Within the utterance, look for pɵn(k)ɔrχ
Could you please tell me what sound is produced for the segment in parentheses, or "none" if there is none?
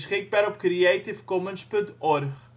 t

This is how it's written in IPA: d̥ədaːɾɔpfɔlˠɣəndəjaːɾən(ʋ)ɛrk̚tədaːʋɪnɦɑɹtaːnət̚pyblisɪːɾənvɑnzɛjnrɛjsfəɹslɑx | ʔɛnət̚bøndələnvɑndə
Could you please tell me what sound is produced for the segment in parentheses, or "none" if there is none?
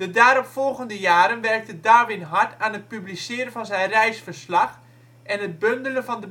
ʋ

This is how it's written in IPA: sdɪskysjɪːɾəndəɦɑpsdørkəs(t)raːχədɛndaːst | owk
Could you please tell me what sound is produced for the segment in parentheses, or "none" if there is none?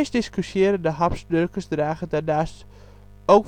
d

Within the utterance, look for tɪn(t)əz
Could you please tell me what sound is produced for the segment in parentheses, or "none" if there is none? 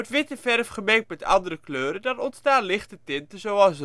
t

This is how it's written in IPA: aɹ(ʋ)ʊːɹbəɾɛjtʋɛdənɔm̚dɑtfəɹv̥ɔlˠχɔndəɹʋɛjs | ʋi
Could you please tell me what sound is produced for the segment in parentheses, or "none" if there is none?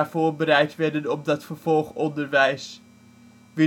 v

